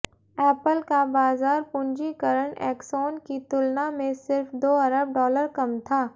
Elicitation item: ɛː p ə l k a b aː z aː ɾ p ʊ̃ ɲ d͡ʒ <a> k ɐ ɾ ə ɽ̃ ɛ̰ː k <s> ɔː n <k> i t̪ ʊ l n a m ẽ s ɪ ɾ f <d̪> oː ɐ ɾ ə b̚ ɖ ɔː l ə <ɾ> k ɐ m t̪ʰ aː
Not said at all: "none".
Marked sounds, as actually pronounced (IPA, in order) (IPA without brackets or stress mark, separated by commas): i, s, k, d̪, ɾ